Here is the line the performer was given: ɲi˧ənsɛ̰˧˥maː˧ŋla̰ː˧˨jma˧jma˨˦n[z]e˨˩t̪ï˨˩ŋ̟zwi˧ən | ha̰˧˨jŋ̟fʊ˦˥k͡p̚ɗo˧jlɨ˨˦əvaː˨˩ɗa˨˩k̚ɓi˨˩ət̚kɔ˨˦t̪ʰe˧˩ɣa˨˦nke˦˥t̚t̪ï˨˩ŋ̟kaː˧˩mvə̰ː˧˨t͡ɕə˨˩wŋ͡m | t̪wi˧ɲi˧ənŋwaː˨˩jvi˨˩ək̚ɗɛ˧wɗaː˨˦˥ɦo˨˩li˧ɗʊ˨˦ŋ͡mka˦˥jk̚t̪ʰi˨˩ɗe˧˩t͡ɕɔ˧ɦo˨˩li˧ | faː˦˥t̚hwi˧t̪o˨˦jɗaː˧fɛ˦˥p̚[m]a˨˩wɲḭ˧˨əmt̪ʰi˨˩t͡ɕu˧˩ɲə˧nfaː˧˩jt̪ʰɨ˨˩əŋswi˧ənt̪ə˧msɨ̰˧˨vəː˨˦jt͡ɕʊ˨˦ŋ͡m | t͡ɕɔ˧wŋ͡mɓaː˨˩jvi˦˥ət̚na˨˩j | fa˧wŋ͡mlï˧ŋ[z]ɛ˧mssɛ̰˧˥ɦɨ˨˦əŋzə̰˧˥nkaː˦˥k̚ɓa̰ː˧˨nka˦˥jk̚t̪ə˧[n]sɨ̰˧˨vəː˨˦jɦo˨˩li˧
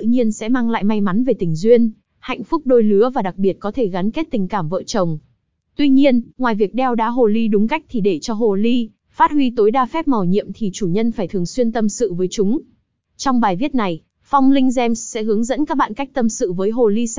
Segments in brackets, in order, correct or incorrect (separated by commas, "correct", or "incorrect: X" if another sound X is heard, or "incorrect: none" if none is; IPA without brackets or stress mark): incorrect: v, correct, correct, incorrect: m